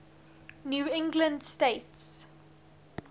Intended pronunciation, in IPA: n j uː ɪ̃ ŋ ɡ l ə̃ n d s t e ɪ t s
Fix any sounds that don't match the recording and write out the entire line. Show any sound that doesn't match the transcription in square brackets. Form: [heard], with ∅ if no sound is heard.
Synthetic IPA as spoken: n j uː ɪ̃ ŋ ɡ l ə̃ n d s t e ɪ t s